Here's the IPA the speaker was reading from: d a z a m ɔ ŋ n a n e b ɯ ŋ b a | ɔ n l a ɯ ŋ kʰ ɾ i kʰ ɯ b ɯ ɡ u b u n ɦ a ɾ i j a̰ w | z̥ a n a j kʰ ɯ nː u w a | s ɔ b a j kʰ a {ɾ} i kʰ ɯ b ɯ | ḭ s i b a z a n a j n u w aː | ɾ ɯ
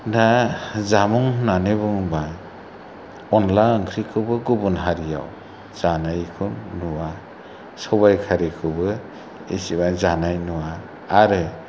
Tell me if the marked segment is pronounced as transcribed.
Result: yes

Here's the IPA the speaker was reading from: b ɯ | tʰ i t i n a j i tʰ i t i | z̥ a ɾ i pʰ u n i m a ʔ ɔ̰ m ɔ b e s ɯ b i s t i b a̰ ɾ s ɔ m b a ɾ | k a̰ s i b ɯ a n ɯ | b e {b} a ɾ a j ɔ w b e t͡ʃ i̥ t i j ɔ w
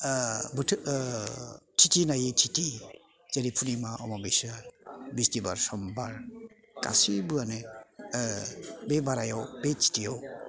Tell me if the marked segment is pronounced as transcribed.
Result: yes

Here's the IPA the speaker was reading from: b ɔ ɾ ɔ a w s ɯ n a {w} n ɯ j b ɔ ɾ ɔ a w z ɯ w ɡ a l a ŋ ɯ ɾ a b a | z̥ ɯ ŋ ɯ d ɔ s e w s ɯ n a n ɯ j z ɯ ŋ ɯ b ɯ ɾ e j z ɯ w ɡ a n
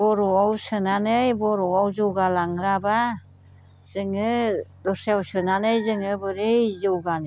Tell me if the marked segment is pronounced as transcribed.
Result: no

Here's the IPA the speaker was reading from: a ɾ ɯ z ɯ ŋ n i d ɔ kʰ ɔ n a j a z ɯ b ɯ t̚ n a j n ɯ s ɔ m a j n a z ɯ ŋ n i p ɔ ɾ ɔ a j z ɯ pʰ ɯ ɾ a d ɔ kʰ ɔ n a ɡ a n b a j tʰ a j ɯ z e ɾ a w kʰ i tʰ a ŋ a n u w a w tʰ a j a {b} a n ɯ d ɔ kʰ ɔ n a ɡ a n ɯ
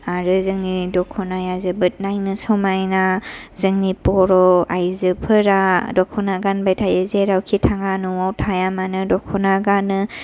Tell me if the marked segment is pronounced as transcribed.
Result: no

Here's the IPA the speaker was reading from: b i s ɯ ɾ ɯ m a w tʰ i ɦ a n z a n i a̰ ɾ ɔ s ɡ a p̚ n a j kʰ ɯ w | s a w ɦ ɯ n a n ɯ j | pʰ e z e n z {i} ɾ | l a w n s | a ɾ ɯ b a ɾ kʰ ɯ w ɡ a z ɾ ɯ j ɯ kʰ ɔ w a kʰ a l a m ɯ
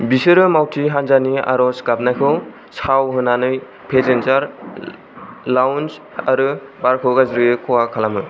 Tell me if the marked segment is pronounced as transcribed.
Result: no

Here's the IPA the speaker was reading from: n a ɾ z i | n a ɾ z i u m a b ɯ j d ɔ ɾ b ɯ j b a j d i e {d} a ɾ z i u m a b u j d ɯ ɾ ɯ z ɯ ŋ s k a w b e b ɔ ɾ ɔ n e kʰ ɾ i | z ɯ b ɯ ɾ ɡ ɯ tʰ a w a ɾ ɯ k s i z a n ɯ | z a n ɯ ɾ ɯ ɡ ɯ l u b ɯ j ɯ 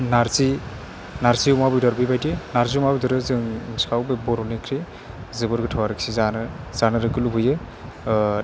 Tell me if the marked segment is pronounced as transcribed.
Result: no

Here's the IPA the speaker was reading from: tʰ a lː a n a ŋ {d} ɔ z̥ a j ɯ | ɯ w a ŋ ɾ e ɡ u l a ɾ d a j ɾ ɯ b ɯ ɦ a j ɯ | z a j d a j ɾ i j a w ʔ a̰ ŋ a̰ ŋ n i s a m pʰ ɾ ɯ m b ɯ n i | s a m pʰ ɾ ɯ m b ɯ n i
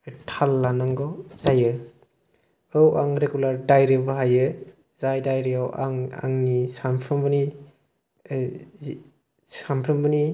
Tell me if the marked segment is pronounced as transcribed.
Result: no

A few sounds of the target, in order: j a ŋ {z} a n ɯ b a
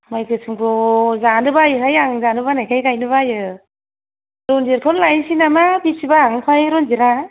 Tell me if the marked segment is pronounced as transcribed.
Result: yes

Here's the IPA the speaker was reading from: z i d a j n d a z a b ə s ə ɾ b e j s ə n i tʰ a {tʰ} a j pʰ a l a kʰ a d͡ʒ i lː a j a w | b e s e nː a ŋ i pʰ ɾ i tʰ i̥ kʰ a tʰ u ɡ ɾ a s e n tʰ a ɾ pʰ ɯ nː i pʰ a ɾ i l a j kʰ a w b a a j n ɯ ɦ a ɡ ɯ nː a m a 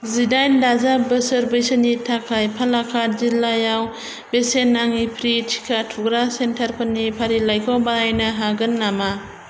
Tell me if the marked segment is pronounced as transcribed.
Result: no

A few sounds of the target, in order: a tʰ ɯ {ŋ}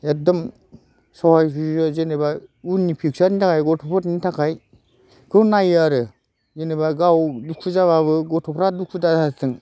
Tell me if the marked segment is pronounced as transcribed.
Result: yes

